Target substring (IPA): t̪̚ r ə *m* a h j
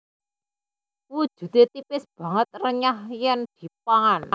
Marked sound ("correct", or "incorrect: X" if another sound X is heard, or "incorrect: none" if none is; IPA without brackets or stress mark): incorrect: ɲ